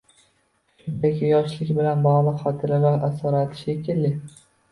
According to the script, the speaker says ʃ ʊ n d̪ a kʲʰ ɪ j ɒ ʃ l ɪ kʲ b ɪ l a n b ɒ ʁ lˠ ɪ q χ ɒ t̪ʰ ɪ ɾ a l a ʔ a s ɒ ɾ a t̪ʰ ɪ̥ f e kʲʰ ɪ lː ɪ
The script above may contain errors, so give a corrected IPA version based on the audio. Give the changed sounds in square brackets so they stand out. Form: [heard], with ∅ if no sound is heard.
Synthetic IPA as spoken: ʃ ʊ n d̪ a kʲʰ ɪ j ɒ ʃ l ɪ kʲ b ɪ l a n b ɒ ʁ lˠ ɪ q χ ɒ t̪ʰ ɪ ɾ a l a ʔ a s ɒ ɾ a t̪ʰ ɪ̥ [ʃ] e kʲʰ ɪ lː ɪ